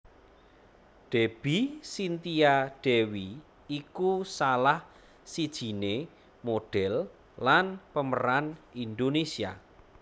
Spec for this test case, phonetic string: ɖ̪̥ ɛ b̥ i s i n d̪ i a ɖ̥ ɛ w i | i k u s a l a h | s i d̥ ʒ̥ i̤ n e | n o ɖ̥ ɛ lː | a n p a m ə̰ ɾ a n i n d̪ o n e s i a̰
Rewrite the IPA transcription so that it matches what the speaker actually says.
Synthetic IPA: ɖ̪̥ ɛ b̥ i s i n t̪ i a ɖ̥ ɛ w i | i k u s a l a h | s i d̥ ʒ̥ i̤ n e | m o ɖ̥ ɛ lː | a n p ə m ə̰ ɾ a n i n d̪ o n e s i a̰